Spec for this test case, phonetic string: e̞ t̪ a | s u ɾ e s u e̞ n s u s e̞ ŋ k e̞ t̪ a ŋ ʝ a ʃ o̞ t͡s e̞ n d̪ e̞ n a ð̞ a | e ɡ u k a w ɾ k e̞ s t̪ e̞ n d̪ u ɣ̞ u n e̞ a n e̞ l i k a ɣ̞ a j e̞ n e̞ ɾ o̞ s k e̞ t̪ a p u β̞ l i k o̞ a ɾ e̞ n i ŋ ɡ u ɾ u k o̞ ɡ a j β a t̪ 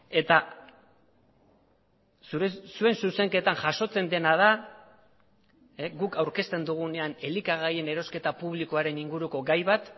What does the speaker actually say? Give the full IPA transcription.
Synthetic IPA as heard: e̞ t̪ a | s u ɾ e s u e̞ n s u s e̞ ŋ k e̞ t̪ a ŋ ʝ a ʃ o̞ t͡s e̞ n d̪ e̞ n a ð̞ a | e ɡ u k a w ɾ k e̞ s t̪ e̞ n d̪ u ɣ̞ u n e̞ a n e̞ l i k a ɣ̞ a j e̞ n e̞ ɾ o̞ s k e̞ t̪ a p u β̞ l i k o̞ a ɾ e̞ n i ŋ ɡ u ɾ u k o̞ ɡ a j β a t̪